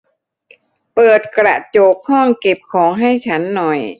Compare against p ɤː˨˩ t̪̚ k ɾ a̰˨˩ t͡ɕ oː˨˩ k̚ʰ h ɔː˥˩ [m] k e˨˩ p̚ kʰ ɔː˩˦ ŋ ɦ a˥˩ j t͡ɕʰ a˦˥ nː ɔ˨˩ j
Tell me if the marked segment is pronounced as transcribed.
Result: no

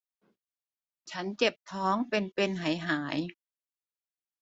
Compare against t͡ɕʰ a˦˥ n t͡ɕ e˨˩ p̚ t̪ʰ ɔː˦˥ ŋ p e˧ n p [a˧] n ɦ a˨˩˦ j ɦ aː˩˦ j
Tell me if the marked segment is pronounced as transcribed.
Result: no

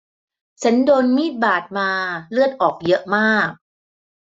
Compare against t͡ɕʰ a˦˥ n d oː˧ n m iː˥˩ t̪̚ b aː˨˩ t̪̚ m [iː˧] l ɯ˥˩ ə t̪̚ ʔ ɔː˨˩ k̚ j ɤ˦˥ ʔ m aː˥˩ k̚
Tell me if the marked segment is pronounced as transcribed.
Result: no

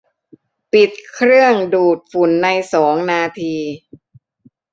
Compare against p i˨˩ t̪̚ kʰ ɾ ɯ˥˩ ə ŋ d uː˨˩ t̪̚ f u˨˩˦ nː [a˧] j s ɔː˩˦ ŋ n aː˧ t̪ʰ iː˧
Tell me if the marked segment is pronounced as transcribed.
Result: yes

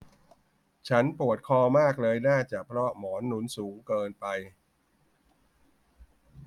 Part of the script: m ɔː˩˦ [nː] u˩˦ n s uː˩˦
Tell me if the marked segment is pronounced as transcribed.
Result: yes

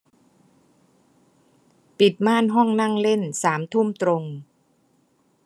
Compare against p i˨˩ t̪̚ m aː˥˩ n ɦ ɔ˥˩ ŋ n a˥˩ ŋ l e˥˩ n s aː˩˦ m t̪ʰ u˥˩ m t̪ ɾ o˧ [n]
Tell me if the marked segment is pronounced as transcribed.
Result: no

